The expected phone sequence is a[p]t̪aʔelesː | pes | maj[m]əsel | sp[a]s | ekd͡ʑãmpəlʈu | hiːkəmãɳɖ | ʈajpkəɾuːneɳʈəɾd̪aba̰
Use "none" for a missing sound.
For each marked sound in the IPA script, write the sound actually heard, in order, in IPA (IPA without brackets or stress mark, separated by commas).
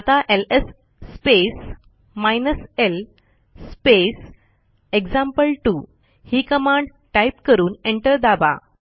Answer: none, n, e